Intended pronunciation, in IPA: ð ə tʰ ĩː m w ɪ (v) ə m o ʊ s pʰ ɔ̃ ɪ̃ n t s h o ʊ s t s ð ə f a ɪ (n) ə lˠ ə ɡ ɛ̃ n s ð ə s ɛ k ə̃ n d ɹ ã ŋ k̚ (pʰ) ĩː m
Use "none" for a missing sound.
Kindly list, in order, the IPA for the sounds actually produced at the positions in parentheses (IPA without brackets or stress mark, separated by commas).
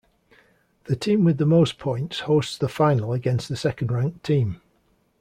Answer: ð, n, tʰ